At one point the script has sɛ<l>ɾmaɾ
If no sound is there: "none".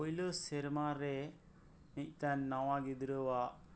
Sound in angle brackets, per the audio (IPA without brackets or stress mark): none